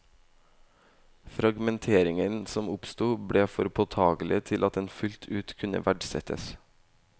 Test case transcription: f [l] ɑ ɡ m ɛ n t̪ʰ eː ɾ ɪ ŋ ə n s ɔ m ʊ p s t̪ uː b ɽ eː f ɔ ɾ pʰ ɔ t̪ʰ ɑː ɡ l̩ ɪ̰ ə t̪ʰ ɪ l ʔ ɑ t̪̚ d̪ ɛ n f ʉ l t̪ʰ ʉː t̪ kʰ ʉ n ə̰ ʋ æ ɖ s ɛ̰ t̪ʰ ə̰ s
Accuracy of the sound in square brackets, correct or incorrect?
incorrect